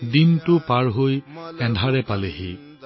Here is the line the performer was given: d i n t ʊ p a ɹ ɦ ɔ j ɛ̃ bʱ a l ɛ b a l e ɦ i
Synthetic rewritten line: d i n t ʊ p a ɹ ɦ o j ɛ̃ dʱ a ɹ ɛ p a l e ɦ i

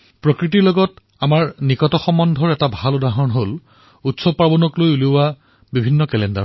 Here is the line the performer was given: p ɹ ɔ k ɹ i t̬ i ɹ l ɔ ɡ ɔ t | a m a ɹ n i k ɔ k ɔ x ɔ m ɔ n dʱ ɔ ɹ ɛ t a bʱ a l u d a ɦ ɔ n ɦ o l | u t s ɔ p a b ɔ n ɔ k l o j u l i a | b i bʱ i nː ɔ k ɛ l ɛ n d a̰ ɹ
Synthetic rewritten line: p ɹ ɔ k ɹ i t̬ i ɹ l ɔ ɡ ɔ t | a m a ɹ n i k ɔ t ɔ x ɔ m ɔ n dʱ ɔ ɹ ɛ t a bʱ a l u d a ɦ ɔ n ɦ o l | u t s ɔ p a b ɔ n ɔ k l o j u l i a | b i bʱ i nː ɔ k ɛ l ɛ n d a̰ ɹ

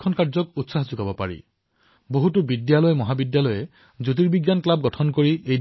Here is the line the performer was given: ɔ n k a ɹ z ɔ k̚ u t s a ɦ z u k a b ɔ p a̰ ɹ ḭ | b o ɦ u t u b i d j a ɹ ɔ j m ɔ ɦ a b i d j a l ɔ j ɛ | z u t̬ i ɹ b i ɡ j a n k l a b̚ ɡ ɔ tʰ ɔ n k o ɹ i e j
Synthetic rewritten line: ɔ n k a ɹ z ɔ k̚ u t s a ɦ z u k a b ɔ p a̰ ɹ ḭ | b o ɦ u t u b i d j a l ɔ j m ɔ ɦ a b i d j a l ɔ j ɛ | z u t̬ i ɹ b i ɡ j a n k l a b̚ ɡ ɔ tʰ ɔ n k o ɹ i e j

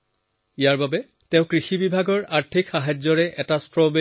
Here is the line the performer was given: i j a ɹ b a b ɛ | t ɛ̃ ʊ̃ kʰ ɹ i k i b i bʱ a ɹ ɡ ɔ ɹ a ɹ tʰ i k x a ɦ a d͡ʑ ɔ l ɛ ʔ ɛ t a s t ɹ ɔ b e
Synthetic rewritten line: i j a ɹ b a b ɛ | t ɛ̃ ʊ̃ k ɹ i x i b i bʱ a ɡ ɔ ɹ a ɹ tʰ i k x a ɦ a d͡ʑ ɔ ɹ ɛ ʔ ɛ t a s t ɹ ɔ b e

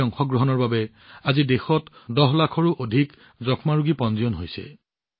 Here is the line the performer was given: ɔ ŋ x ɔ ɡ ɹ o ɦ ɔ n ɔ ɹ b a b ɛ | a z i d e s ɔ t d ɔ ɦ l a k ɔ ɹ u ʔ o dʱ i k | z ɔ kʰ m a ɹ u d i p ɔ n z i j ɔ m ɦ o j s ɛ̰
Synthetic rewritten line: ɔ ŋ x ɔ ɡ ɹ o ɦ ɔ n ɔ ɹ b a b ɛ | a z i d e x ɔ t d ɔ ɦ l a kʰ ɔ ɹ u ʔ o dʱ i k | z ɔ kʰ m a ɹ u ɡ i p ɔ n z i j ɔ n ɦ o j s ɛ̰

